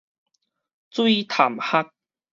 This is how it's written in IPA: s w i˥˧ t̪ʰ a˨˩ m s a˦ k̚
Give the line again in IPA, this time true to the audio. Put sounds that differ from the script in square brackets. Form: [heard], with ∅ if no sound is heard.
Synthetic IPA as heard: [t͡s] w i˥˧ t̪ʰ a˨˩ m [h] a˦ k̚